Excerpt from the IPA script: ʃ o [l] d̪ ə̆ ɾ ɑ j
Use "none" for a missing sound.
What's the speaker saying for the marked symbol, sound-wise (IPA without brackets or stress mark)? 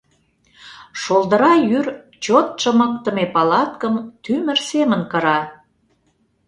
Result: l